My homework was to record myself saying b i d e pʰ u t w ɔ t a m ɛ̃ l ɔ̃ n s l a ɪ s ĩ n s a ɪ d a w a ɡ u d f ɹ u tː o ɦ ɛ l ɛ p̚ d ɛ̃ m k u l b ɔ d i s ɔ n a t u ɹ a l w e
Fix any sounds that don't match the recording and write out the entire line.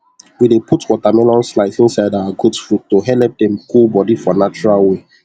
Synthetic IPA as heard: w i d e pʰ u t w ɔ t a m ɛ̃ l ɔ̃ n s l a ɪ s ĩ n s a ɪ d a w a ɡ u d f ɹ u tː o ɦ ɛ l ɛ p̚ d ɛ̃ m k u l b ɔ d i f ɔ n a t͡ʃ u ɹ a l w e